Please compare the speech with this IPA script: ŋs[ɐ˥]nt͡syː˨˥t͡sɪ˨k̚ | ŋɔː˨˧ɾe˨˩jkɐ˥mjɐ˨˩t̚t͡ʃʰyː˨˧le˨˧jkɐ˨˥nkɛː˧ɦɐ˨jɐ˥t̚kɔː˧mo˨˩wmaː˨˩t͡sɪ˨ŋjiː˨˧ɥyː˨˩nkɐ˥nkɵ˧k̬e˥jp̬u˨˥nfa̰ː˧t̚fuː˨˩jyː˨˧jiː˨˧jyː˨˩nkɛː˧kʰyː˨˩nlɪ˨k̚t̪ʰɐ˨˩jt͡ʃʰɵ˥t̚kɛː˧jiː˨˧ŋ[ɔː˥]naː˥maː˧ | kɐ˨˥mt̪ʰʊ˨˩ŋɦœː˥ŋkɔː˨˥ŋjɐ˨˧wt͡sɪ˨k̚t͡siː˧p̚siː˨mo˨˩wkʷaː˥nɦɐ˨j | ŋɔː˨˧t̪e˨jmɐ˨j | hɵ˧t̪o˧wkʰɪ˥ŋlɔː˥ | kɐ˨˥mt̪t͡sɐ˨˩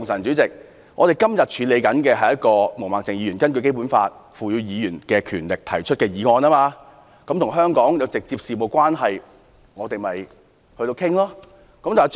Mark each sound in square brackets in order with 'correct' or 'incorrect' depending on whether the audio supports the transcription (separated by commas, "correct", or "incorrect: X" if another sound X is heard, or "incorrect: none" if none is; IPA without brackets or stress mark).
incorrect: ɐ˨˩, incorrect: ɔː˧